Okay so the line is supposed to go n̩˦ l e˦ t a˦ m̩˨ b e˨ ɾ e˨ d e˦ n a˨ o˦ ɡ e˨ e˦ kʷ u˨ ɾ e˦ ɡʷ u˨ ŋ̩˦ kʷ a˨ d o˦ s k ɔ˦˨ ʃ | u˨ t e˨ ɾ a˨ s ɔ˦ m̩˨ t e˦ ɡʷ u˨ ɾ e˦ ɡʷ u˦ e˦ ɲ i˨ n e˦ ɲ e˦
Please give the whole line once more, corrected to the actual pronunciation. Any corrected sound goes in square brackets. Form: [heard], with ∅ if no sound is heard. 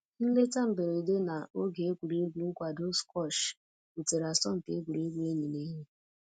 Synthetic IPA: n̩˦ l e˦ t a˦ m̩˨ b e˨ ɾ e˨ d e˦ n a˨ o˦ ɡ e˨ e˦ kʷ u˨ ɾ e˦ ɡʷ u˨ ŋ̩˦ kʷ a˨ d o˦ s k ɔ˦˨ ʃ | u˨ t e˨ ɾ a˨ s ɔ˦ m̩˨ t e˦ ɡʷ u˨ ɾ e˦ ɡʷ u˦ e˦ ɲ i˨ n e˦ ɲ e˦